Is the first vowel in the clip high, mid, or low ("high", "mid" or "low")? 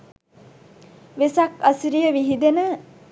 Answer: mid